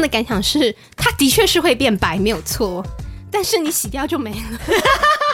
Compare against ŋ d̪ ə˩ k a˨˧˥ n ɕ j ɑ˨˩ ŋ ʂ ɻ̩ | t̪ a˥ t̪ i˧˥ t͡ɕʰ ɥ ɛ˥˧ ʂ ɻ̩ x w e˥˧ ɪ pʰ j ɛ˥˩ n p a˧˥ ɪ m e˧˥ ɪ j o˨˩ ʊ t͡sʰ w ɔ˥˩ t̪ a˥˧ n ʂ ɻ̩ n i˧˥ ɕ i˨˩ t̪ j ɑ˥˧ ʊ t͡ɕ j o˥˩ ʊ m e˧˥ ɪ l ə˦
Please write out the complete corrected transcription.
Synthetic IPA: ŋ d̪ ə˩ k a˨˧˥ n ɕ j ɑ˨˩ ŋ ʂ ɻ̩ | t̪ʰ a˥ t̪ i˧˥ t͡ɕʰ ɥ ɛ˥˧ ʂ ɻ̩ x w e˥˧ ɪ p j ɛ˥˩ n p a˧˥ ɪ m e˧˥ ɪ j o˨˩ ʊ t͡sʰ w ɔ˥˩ t̪ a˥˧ n ʂ ɻ̩ n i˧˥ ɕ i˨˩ t̪ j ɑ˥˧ ʊ t͡ɕ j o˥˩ ʊ m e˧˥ ɪ l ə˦